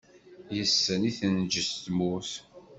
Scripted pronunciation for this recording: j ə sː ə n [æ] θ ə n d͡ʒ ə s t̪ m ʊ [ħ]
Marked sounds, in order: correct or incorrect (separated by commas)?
incorrect, incorrect